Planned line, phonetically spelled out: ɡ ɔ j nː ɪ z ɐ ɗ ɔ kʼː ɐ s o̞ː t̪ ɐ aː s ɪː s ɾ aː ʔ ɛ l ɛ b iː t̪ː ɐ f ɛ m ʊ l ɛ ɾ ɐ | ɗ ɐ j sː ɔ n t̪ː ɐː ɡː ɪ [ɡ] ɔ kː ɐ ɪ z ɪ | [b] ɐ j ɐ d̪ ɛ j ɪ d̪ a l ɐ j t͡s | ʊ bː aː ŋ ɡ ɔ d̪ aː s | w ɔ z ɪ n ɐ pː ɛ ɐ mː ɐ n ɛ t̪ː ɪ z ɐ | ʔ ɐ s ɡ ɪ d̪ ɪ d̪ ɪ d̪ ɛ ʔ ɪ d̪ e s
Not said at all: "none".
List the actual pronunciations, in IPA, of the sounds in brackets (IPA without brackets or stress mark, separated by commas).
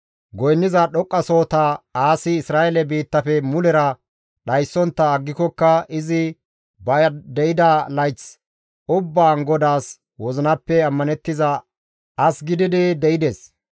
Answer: k, b